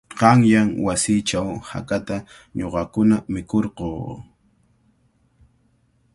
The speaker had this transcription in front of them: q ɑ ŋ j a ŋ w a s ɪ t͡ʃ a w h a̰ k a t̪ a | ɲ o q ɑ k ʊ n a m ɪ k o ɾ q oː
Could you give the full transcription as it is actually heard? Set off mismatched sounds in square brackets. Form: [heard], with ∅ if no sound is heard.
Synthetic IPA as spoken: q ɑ ŋ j a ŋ w a s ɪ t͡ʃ a w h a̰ k a t̪ a | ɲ o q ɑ k ʊ n a m ɪ k o ɾ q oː

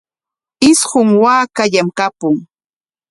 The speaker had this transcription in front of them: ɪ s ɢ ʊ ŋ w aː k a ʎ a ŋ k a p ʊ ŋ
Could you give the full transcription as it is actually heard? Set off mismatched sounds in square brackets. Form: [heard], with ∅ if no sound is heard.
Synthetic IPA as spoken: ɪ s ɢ ʊ ŋ w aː k a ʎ a [m] k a p ʊ ŋ

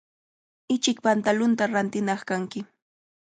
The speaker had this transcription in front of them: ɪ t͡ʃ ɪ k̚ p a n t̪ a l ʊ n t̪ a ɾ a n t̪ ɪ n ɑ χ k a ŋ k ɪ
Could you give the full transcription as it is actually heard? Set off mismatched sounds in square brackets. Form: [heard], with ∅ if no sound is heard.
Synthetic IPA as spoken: ɪ t͡ʃ ɪ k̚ p a n t̪ a l ʊ n t̪ a ɾ a n t̪ ɪ n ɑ χ k a ŋ k ɪ

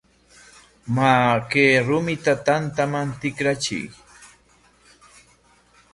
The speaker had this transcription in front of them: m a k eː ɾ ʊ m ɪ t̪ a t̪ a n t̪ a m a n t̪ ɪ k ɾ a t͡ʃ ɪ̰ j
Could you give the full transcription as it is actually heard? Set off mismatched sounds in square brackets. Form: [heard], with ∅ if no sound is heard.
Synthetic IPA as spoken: m a k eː ɾ ʊ m ɪ t̪ a t̪ a n t̪ a m a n t̪ ɪ k ɾ a t͡ʃ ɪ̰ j

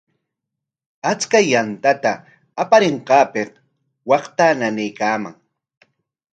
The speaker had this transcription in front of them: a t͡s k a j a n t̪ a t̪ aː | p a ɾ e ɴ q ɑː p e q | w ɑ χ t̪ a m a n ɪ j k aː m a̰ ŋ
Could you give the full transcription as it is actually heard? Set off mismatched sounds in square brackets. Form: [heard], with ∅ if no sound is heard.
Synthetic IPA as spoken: a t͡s k a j a n t̪ a t̪ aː | p a ɾ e ɴ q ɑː p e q | w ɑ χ t̪ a [n] a n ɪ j k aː m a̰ ŋ

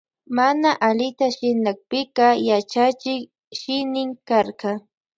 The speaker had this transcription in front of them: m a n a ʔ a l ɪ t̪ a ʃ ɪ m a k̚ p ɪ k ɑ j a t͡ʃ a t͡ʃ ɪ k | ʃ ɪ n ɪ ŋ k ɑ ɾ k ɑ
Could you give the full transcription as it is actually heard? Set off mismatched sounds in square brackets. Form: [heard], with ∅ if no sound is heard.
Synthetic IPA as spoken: m a n a ʔ a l ɪ t̪ a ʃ ɪ [n] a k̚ p ɪ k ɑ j a t͡ʃ a t͡ʃ ɪ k | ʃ ɪ n ɪ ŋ k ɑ ɾ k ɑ

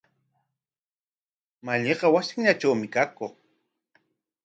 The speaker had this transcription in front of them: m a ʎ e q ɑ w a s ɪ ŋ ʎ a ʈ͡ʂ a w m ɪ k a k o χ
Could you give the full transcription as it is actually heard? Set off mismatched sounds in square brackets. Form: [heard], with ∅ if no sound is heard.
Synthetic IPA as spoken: m a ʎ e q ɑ w a s ɪ ŋ ʎ a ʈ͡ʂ a w m ɪ k a k o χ

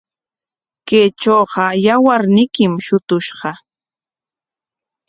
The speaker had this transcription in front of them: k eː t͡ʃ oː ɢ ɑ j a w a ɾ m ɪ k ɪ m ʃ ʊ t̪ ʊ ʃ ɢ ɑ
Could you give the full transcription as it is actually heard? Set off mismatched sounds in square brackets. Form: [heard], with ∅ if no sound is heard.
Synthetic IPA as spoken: k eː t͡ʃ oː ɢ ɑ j a w a ɾ [n] ɪ k ɪ m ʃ ʊ t̪ ʊ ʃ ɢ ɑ

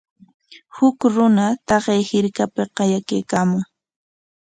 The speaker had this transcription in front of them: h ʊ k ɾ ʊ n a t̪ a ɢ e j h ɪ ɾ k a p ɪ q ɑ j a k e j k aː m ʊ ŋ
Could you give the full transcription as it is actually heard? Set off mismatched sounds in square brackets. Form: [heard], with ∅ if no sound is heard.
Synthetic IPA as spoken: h ʊ k ɾ ʊ n a t̪ [ɑ] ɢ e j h ɪ ɾ k a p ɪ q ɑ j a k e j k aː m ʊ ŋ

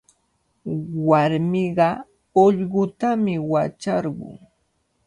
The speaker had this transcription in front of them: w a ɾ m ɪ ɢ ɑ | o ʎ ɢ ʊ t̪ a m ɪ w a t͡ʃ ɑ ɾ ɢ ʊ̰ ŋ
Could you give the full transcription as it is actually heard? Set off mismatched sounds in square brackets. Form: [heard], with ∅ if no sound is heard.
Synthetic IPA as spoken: w a ɾ m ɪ ɢ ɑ | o ʎ ɢ ʊ t̪ a m ɪ w a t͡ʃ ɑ ɾ ɢ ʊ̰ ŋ

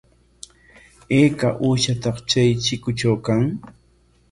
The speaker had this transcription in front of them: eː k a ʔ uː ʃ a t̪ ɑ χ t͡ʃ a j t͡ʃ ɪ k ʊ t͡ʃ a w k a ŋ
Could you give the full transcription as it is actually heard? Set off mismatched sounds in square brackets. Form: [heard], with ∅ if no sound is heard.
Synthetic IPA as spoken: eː k a ʔ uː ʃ a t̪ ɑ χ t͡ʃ a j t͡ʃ ɪ k ʊ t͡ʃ a w k a ŋ

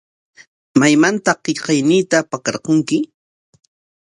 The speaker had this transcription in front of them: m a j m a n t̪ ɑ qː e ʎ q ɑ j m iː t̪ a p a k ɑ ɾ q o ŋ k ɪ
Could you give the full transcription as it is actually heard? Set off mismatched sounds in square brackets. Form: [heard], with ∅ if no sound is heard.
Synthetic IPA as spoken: m a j m a n t̪ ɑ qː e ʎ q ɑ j [n] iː t̪ a p a k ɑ ɾ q o ŋ k ɪ

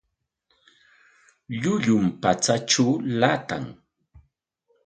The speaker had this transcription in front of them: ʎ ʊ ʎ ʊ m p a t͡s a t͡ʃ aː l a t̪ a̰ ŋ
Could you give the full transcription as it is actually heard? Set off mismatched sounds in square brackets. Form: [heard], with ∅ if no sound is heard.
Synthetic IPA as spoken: ʎ ʊ ʎ ʊ m p a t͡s a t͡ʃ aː l a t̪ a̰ ŋ

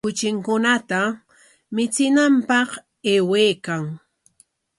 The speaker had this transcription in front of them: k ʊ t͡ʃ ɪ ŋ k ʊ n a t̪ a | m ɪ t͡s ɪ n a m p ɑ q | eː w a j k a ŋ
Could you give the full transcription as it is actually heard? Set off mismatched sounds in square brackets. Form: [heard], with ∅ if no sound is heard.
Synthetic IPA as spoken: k ʊ t͡ʃ ɪ ŋ k ʊ n a t̪ a | m ɪ t͡s ɪ n a m p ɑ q | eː w [e] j k a ŋ

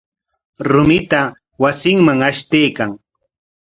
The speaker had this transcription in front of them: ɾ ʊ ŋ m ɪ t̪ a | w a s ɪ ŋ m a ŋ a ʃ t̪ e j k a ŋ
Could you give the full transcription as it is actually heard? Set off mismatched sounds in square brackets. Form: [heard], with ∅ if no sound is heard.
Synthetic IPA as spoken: ɾ ʊ [∅] m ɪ t̪ a | w a s ɪ ŋ m a ŋ a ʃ t̪ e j k a ŋ

